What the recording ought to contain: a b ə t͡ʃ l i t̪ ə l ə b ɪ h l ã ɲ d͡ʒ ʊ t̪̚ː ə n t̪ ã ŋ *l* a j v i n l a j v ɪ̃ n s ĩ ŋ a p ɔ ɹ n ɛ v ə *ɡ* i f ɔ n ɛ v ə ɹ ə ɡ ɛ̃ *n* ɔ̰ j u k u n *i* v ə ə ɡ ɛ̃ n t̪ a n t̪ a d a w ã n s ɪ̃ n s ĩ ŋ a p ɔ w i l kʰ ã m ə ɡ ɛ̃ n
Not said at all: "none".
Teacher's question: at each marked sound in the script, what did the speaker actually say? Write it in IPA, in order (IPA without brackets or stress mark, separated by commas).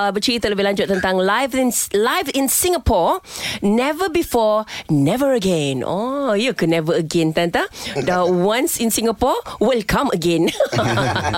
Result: l, b, n, ɛ